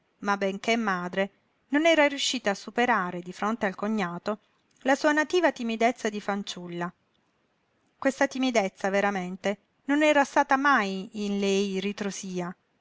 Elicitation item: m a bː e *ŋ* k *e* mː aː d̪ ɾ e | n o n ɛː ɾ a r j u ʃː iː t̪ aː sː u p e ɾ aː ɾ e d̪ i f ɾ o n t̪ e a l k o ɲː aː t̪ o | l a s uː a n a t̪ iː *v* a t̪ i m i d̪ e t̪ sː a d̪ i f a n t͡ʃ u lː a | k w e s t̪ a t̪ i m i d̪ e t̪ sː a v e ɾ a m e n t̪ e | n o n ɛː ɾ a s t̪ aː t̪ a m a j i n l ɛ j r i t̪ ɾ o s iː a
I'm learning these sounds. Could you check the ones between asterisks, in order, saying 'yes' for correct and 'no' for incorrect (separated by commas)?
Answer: yes, yes, yes